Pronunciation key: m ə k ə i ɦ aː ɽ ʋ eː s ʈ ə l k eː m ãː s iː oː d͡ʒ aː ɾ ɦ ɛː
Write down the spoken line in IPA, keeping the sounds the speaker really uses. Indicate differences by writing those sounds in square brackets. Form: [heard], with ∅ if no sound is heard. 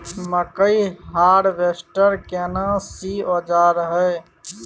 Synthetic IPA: m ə k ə i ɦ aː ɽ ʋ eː s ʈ ə [ɾ] k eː [n] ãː s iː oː d͡ʒ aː ɾ ɦ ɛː